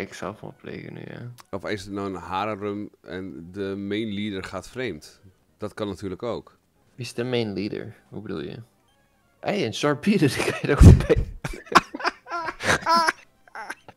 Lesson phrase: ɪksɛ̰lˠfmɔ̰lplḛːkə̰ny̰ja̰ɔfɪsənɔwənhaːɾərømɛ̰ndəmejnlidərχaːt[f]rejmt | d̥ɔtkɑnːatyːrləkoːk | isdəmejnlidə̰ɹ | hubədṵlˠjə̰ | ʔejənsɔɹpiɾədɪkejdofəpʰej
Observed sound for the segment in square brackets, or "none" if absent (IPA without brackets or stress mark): f